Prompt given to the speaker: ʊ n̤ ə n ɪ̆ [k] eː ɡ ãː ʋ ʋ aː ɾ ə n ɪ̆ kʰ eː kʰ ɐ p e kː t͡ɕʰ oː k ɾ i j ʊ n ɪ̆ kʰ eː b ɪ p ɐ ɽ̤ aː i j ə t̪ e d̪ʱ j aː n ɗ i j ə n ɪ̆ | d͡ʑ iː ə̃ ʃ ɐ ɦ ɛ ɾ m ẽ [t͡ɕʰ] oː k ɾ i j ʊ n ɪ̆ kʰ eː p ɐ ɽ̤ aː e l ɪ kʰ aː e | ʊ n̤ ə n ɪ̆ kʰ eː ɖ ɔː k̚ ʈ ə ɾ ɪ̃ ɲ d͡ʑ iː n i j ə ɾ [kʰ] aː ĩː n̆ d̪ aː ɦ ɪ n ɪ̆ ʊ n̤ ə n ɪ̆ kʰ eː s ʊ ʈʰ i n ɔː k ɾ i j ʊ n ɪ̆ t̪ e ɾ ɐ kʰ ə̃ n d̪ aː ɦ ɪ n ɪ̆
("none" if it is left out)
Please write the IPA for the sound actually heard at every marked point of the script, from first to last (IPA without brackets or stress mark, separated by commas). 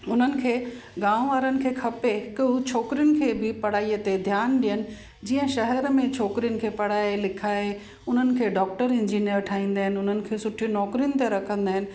kʰ, t͡ɕʰ, ʈʰ